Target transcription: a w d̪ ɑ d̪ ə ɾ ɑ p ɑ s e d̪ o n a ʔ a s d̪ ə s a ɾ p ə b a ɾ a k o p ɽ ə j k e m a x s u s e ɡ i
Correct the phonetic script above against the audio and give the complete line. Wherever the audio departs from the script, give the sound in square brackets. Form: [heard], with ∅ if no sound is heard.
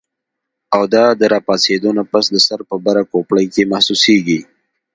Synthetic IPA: a w d̪ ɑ d̪ ə ɾ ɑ p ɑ s e d̪ o n a [p] a s d̪ ə s a ɾ p ə b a ɾ a k o p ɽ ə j k e m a [h] s u s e ɡ i

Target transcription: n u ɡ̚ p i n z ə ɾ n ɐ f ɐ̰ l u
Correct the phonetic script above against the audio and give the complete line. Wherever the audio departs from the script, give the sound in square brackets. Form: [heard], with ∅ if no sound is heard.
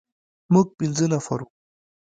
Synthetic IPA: [m] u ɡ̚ p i n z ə [∅] n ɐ f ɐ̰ [ɾ] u

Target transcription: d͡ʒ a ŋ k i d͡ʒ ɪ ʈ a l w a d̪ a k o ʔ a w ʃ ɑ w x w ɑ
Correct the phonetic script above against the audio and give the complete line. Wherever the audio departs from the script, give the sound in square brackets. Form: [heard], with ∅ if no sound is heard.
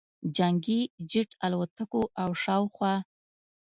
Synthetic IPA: d͡ʒ a ŋ [ɡ] i d͡ʒ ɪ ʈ a l w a [t̪] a k o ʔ a w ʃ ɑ w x w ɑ

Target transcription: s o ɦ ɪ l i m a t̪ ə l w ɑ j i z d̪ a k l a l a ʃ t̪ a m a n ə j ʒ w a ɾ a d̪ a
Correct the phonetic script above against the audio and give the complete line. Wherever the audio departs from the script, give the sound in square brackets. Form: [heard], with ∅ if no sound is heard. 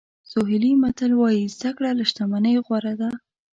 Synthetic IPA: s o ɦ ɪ l i m a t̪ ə l w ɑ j i z d̪ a k [ɽ] a l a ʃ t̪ a m a n ə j [ɣ] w a ɾ a d̪ a

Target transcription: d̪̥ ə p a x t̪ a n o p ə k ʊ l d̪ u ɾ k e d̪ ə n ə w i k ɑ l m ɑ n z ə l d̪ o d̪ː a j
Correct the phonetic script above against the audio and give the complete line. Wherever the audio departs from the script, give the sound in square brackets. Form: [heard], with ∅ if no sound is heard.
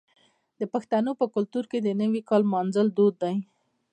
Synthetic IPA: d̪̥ ə p a x t̪ a n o p ə k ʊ l [t̪] u ɾ k e d̪ ə n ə w i k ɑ l m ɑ n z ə l d̪ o d̪ː a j

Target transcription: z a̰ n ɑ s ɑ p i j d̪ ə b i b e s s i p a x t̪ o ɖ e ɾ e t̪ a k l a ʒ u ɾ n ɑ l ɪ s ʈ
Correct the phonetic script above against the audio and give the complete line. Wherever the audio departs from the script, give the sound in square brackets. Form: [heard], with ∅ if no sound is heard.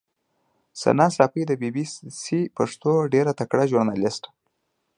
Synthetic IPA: [s] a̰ n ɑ s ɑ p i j d̪ ə b i b [i] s s i p a [ʂ] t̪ o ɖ e ɾ [a] t̪ a k [ɽ] a ʒ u ɾ n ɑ l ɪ s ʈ

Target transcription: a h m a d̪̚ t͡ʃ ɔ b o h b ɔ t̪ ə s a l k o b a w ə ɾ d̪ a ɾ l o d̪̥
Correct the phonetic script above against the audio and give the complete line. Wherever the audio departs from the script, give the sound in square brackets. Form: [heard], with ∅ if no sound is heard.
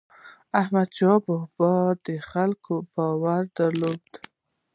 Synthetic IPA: a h m a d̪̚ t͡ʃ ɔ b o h b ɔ [d̪] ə [x] a l k o b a w [a] ɾ d̪ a ɾ l o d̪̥

